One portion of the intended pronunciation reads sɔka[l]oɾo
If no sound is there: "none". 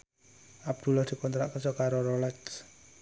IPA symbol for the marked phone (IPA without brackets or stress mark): ɾ